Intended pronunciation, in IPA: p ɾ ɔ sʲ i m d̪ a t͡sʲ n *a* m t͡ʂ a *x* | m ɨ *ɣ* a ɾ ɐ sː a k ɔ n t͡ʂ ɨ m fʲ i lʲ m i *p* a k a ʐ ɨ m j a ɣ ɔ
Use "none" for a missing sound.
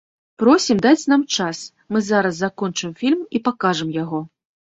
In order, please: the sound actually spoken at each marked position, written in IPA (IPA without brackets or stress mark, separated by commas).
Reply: a, s, z, p